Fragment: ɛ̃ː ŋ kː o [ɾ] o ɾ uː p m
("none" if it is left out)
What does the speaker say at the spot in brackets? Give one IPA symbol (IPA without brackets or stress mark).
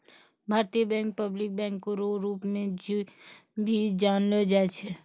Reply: ɾ